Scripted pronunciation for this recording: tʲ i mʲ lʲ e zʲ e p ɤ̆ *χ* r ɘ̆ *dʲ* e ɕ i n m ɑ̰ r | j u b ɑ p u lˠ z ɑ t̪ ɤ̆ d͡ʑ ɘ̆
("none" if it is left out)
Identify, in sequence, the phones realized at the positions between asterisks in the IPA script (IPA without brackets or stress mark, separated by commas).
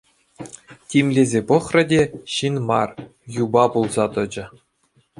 χ, dʲ